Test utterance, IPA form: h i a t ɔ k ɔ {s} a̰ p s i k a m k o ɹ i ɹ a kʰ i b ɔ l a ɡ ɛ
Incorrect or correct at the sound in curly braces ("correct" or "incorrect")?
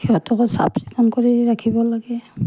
correct